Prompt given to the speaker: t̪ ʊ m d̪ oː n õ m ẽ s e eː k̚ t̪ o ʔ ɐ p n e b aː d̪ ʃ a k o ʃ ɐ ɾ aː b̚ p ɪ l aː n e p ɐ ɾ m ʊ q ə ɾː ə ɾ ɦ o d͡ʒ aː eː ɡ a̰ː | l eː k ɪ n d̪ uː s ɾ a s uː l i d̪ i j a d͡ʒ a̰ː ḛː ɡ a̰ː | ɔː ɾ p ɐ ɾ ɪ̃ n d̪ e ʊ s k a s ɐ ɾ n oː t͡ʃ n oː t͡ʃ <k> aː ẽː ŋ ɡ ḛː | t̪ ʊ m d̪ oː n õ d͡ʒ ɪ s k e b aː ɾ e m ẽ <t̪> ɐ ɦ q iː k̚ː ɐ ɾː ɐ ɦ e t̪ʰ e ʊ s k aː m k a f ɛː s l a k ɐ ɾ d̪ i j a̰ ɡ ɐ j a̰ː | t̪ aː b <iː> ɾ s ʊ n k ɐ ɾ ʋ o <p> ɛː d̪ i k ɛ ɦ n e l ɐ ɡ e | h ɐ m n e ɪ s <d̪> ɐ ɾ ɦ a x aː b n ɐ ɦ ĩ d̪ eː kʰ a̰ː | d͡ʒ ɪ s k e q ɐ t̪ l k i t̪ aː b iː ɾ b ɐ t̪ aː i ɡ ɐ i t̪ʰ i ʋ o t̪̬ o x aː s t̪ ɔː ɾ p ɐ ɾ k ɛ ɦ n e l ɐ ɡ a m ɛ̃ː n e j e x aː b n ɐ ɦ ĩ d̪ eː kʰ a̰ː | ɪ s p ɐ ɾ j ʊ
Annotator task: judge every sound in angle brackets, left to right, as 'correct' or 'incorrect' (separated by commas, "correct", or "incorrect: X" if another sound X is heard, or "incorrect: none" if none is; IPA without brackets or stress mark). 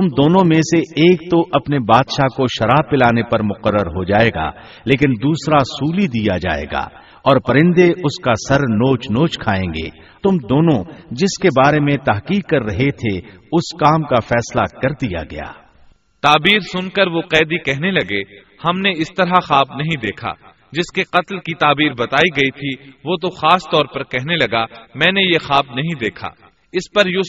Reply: incorrect: kʰ, correct, correct, incorrect: q, incorrect: t̪